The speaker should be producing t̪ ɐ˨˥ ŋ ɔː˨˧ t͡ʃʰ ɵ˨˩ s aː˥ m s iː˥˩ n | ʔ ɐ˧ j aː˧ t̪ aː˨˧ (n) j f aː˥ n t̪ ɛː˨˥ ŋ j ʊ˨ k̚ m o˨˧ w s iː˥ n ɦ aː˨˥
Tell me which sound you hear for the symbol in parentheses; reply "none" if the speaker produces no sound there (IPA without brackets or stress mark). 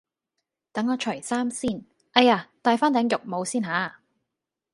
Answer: none